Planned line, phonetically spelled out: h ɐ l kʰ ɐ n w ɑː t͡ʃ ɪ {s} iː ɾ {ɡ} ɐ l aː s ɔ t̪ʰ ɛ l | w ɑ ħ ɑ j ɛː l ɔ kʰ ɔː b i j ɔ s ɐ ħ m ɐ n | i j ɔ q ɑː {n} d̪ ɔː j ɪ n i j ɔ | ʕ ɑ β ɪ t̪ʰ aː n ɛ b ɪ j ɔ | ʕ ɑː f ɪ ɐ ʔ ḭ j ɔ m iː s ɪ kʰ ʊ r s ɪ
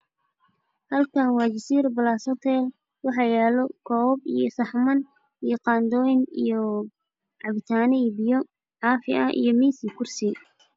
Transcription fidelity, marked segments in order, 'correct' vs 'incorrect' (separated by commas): correct, incorrect, correct